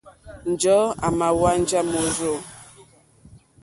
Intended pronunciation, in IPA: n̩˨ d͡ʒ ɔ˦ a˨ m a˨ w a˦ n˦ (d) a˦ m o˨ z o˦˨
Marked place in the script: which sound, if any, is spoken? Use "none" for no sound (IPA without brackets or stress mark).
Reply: d͡ʒ